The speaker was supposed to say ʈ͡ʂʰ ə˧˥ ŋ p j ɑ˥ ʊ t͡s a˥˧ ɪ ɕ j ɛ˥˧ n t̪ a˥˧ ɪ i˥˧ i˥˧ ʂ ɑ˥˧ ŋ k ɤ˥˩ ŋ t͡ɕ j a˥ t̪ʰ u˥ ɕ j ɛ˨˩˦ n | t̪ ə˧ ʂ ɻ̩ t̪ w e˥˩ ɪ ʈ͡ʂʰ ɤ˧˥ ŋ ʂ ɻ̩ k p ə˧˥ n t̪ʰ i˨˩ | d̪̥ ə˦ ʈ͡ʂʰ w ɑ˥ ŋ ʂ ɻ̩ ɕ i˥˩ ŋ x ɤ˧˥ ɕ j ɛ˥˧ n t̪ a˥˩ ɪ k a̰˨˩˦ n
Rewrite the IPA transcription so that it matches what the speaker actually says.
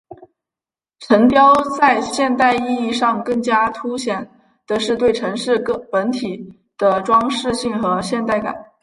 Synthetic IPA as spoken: ʈ͡ʂʰ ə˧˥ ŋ p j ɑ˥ ʊ t͡s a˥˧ ɪ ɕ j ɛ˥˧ n t̪ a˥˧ ɪ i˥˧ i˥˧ ʂ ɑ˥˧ ŋ k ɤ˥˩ ŋ t͡ɕ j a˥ t̪ʰ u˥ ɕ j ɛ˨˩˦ n | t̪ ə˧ ʂ ɻ̩ t̪ w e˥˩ ɪ ʈ͡ʂʰ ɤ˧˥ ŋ ʂ ɻ̩ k p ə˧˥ n t̪ʰ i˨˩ | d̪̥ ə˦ ʈ͡ʂ w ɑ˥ ŋ ʂ ɻ̩ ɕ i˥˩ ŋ x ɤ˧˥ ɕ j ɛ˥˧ n t̪ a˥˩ ɪ k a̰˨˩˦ n